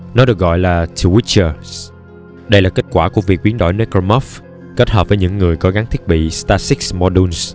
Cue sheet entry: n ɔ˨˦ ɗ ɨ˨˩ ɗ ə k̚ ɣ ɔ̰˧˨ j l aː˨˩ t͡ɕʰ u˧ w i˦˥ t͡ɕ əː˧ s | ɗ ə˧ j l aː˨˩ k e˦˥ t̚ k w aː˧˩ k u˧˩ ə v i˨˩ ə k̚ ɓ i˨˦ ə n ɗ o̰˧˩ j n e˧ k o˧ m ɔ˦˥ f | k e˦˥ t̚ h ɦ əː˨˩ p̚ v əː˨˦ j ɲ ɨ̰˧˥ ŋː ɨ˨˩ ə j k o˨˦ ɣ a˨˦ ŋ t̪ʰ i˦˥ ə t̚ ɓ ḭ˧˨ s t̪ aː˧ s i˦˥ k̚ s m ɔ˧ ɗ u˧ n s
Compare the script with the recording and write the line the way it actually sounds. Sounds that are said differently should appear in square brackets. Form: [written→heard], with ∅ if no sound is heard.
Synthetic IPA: n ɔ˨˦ ɗ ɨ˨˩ [ɗ→∅] ə k̚ ɣ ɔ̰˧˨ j l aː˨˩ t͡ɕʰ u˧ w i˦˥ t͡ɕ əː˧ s | ɗ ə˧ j l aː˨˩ k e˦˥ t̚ k w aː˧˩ k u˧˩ ə v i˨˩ ə k̚ ɓ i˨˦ ə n ɗ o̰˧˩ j n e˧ k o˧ m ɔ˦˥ f | k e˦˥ t̚ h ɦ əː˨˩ p̚ v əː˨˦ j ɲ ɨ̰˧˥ ŋː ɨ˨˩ ə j k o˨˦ ɣ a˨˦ ŋ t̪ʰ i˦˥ ə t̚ ɓ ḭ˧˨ s t̪ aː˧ s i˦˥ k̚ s m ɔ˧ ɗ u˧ n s